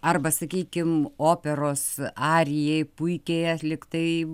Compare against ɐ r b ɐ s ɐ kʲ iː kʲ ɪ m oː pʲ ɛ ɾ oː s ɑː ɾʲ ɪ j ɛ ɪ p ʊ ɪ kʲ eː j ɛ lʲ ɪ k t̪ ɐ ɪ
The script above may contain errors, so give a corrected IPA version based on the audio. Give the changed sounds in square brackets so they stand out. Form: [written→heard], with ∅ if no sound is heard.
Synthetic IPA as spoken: ɐ r b ɐ s ɐ kʲ iː kʲ ɪ m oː pʲ ɛ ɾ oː s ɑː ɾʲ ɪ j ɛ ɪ p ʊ ɪ kʲ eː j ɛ lʲ ɪ k t̪ ɐ ɪ